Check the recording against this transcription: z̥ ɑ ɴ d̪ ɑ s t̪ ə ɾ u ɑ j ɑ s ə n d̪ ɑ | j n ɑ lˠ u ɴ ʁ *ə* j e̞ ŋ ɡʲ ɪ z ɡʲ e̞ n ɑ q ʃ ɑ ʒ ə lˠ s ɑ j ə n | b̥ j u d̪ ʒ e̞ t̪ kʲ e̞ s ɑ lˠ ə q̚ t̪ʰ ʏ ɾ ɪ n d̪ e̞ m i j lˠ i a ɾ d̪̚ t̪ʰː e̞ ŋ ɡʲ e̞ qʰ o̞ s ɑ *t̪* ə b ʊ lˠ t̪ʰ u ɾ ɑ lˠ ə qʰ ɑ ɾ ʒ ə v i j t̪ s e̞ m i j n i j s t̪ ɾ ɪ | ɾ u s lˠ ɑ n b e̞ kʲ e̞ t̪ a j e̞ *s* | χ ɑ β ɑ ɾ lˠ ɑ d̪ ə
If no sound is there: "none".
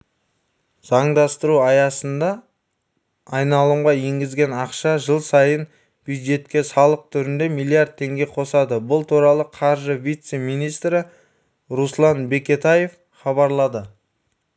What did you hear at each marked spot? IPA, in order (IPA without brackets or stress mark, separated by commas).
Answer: ɑ, d̪, f